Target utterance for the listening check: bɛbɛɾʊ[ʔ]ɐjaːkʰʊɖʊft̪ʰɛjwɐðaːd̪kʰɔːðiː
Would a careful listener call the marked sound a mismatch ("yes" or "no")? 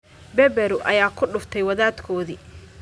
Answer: no